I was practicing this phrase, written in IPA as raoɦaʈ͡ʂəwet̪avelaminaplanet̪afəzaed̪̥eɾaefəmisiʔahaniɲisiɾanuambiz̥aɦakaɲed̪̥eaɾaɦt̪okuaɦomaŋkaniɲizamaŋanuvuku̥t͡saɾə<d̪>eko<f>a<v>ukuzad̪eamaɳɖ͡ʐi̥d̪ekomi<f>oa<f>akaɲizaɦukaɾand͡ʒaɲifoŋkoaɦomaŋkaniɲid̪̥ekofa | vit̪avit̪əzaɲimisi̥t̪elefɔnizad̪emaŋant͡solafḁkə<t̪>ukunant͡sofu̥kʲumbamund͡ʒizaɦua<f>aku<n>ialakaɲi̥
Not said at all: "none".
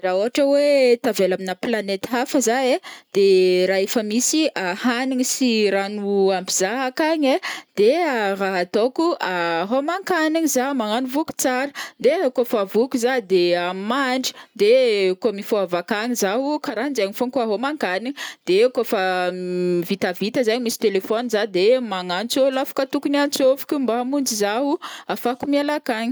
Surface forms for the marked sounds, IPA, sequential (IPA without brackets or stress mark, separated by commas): d̪, f, v, f, v, t̪, f, m